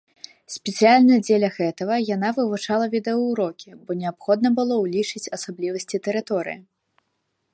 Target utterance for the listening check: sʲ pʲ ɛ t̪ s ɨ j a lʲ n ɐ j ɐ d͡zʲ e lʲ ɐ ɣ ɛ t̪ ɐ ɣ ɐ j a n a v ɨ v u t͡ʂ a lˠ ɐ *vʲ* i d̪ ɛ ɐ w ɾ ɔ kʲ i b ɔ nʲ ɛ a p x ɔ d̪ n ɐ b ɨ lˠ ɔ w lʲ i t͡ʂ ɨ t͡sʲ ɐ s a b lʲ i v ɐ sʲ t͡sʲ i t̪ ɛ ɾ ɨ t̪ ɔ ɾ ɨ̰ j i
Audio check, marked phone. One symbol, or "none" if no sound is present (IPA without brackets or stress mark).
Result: vʲ